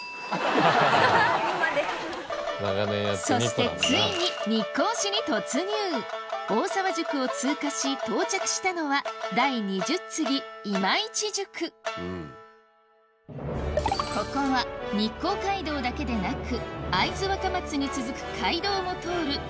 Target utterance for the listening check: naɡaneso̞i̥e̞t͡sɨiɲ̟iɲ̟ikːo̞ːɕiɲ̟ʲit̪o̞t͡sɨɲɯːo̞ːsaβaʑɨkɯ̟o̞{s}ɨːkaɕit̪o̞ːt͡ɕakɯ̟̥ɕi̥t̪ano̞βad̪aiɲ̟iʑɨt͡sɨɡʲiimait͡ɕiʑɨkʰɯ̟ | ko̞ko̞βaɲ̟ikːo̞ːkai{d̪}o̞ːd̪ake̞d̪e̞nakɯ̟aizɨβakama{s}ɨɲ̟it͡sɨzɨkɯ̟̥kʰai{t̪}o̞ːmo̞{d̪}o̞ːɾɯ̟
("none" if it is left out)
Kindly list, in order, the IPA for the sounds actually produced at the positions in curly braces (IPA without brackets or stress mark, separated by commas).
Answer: t͡s, d̪, t͡s, d̪, t̪